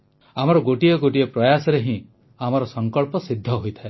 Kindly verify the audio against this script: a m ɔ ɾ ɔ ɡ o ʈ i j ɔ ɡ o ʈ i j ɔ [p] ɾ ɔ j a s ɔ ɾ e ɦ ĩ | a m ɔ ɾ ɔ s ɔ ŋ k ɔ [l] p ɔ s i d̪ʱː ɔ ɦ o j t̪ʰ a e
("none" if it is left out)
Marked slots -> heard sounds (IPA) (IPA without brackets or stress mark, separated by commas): p, ɭ